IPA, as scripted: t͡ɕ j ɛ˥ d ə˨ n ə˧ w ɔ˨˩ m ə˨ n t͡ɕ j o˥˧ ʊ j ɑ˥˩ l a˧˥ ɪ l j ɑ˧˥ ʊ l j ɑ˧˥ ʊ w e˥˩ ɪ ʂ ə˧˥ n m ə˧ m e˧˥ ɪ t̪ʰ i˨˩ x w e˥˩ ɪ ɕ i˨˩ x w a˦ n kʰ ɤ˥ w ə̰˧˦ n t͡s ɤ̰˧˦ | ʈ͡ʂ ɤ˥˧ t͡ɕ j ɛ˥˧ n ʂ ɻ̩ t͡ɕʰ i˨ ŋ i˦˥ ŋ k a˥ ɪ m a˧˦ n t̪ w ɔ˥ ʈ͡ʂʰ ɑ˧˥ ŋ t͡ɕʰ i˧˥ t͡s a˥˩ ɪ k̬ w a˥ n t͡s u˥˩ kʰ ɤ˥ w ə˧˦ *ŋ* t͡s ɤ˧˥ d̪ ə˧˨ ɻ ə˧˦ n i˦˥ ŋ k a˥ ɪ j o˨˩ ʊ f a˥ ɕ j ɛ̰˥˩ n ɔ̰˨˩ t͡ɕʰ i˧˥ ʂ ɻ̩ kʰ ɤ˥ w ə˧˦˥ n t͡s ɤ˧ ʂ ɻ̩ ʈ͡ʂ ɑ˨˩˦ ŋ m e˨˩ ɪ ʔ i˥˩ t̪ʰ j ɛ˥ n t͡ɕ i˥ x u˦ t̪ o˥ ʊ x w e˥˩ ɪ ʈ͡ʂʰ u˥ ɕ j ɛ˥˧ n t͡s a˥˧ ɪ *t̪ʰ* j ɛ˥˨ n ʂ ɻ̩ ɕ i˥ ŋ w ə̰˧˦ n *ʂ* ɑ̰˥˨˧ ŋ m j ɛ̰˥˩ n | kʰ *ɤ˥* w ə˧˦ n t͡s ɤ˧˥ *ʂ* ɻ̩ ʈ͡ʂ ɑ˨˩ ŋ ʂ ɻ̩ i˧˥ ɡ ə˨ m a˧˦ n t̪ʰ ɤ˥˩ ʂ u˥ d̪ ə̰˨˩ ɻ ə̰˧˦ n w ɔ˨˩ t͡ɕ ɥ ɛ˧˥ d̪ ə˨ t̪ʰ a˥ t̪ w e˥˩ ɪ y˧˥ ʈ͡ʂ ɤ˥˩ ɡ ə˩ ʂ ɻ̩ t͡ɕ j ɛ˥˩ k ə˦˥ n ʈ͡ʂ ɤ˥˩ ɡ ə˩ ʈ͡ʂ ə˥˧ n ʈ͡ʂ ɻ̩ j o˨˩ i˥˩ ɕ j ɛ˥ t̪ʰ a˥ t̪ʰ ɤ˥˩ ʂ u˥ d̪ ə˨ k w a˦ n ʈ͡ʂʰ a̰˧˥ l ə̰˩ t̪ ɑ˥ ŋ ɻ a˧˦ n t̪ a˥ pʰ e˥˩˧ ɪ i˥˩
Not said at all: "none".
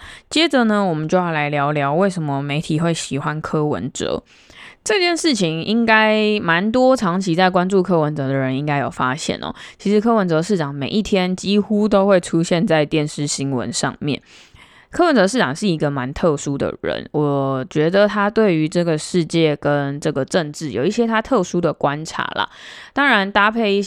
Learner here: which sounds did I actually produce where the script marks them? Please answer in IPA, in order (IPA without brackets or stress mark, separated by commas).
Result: n, t̪, ʂ, ɤ˥, ʂ